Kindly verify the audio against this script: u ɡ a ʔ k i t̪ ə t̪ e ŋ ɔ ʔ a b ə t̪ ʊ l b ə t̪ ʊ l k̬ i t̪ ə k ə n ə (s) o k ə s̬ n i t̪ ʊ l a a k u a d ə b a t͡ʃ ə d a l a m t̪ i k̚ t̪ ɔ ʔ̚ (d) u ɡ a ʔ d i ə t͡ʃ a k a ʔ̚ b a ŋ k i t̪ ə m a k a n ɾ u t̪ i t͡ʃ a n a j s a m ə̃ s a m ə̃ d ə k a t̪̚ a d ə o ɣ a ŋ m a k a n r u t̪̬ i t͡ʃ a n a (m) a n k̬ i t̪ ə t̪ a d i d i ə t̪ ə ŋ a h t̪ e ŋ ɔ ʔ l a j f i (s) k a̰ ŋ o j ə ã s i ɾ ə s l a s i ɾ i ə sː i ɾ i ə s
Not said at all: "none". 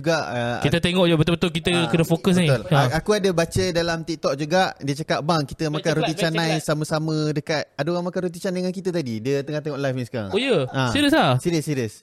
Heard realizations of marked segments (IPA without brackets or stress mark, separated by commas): f, d͡ʒ, ŋ, s